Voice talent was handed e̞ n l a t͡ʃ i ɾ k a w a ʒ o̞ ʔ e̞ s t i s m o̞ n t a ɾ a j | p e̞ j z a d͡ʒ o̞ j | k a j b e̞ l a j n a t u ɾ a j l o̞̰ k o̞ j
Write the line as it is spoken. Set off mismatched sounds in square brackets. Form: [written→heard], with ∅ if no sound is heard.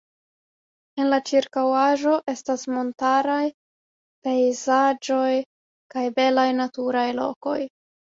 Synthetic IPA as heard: e̞ n l a t͡ʃ i ɾ k a w a ʒ o̞ ʔ e̞ s t [i→a] s m o̞ n t a ɾ a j | p e̞ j z a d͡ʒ o̞ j | k a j b e̞ l a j n a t u ɾ a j l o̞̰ k o̞ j